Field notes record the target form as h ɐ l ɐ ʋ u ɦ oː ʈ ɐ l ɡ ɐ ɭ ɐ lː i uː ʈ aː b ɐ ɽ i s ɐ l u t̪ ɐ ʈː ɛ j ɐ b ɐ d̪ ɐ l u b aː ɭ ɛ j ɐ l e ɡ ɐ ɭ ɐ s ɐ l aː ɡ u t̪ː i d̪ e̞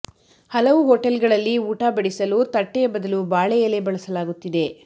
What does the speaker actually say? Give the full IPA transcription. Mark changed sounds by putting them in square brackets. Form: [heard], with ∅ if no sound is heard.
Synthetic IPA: h ɐ l ɐ ʋ u ɦ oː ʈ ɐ l ɡ ɐ ɭ ɐ lː i uː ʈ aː b ɐ ɽ i s ɐ l u t̪ ɐ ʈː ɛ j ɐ b ɐ d̪ ɐ l u b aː ɭ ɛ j ɐ l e [b] ɐ ɭ ɐ s ɐ l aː ɡ u t̪ː i d̪ e̞